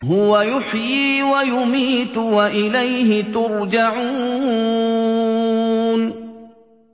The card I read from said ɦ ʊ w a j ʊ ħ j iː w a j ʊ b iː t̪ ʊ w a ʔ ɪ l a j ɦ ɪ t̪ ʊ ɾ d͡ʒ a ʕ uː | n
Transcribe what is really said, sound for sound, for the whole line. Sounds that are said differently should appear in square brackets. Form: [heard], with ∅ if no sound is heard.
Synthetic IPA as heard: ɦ ʊ w a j ʊ ħ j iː w a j ʊ [m] iː t̪ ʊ w a ʔ ɪ l a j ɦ ɪ t̪ ʊ ɾ d͡ʒ a ʕ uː | n

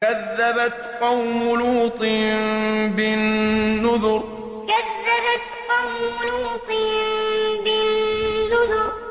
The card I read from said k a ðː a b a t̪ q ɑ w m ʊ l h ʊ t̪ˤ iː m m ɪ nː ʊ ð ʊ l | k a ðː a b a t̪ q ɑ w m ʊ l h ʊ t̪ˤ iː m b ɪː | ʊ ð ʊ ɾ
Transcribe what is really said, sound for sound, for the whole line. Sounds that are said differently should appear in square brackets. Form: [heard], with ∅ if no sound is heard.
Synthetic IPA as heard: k a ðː a b a t̪ q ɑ w m ʊ l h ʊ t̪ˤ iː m [b] ɪ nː ʊ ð ʊ [ɾ] | k a ðː a b a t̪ q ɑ w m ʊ l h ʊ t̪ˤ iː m b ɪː | ʊ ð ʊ ɾ

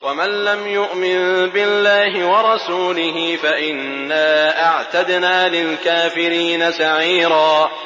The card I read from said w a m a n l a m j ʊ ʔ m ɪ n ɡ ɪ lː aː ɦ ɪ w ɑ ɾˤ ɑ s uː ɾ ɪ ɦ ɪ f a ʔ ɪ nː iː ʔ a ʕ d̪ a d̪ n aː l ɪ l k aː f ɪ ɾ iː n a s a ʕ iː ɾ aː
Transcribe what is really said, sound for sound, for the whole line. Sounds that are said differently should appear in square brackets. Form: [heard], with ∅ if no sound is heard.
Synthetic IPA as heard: w a m a n l a m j ʊ ʔ m ɪ n [b] ɪ lː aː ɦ ɪ w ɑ ɾˤ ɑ s uː [l] ɪ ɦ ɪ f a ʔ ɪ nː [aː] ʔ a ʕ [t̪] a d̪ n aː l ɪ l k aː f ɪ ɾ iː n a s a ʕ iː ɾ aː

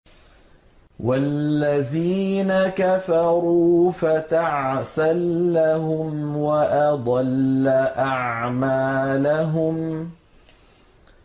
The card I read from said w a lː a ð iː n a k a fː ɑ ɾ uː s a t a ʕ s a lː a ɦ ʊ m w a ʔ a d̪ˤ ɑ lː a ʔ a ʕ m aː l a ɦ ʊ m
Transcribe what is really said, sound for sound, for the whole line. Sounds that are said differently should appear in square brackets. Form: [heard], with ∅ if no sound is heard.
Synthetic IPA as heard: w a lː a ð iː n a k a [f] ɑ ɾ uː [f] a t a ʕ s a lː a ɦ ʊ m w a ʔ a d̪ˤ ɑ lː a ʔ a ʕ m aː l a ɦ ʊ m

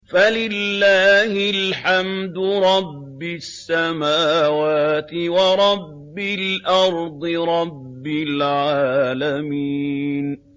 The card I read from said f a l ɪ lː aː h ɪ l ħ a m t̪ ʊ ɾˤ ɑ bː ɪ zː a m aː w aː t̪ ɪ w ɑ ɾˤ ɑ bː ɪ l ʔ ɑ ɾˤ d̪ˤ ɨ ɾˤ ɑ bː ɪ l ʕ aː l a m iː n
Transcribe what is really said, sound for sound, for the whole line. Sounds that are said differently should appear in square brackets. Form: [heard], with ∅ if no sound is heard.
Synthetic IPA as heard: f a l ɪ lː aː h ɪ l ħ a m [d̪] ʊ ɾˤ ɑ bː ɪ [sː] a m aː w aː t̪ ɪ w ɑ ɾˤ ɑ bː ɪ l ʔ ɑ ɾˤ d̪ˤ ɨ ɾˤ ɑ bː ɪ l ʕ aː l a m iː n

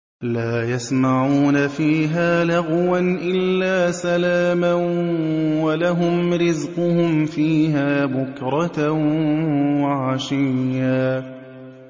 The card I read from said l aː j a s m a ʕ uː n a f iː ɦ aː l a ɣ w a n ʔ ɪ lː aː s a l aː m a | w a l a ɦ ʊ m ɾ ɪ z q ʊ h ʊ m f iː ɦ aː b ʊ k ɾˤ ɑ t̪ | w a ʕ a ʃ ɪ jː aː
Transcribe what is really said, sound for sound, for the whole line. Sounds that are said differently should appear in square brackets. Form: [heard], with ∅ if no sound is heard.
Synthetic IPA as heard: l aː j a s m a ʕ uː n a f iː ɦ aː l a ɣ w a n ʔ ɪ lː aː s a l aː m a | w a l a ɦ ʊ m ɾ ɪ z q ʊ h ʊ m f iː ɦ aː b ʊ k ɾˤ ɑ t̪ | w a ʕ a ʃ ɪ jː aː

